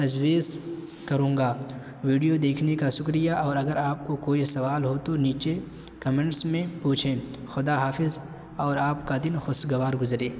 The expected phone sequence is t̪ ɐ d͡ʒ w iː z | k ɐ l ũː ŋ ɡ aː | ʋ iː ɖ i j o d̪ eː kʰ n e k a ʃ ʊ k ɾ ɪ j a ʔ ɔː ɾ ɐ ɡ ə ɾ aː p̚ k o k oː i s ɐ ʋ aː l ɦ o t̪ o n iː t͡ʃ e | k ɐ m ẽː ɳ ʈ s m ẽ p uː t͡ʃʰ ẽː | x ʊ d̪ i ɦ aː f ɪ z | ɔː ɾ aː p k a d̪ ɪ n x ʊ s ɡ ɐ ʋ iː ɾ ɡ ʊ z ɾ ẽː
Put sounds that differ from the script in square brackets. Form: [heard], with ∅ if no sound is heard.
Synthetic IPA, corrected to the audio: t̪ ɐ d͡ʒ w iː z | k ɐ [ɾ] ũː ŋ ɡ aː | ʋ iː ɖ i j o d̪ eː kʰ n e k a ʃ ʊ k ɾ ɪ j a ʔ ɔː ɾ ɐ ɡ ə ɾ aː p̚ k o k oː i s ɐ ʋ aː l ɦ o t̪ o n iː t͡ʃ e | k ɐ m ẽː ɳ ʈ s m ẽ p uː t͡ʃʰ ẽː | x ʊ d̪ [a] ɦ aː f ɪ z | ɔː ɾ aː p k a d̪ ɪ n x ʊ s ɡ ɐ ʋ [aː] ɾ ɡ ʊ z ɾ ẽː